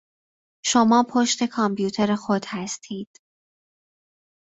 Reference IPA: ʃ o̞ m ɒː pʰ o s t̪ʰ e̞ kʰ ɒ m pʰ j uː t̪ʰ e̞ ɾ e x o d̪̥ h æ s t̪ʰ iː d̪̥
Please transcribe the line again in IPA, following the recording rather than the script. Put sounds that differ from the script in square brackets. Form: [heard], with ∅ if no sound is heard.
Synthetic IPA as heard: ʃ o̞ m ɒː pʰ o [ʃ] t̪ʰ e̞ kʰ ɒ m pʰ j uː t̪ʰ e̞ ɾ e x o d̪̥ h æ s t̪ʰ iː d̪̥